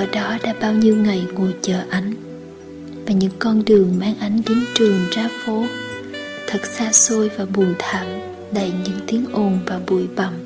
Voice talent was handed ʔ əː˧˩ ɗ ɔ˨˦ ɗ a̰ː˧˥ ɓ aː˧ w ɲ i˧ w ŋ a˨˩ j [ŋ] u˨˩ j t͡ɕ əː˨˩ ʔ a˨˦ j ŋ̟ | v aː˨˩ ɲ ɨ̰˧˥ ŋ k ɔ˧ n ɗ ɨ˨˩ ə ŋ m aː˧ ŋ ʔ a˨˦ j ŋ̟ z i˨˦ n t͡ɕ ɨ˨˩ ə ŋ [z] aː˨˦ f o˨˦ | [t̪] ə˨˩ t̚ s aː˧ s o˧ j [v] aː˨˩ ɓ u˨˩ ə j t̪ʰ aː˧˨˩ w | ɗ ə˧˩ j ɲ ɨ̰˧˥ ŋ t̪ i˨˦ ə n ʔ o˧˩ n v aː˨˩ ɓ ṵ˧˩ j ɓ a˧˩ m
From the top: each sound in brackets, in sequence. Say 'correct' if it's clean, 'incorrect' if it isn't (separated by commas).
correct, correct, incorrect, correct